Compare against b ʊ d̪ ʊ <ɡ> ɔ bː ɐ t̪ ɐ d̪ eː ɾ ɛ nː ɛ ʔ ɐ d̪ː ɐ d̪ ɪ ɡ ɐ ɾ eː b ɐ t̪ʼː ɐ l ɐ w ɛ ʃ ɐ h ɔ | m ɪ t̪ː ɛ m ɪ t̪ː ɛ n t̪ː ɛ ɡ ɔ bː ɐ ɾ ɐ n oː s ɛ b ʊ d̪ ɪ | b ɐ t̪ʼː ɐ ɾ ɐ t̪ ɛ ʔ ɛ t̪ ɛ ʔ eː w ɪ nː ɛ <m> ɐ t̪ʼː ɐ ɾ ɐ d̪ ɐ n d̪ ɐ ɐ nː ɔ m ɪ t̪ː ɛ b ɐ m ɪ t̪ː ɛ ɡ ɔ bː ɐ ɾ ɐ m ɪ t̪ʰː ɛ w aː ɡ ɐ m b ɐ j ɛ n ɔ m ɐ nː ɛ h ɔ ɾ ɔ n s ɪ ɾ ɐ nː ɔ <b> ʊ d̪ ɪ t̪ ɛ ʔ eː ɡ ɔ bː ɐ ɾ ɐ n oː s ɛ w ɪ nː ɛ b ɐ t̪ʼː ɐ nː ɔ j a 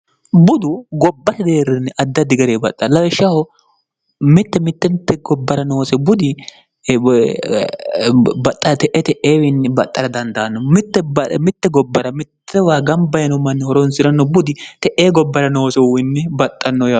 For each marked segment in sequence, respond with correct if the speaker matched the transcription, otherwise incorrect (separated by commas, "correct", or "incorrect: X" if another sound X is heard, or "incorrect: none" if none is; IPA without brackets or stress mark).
correct, incorrect: b, correct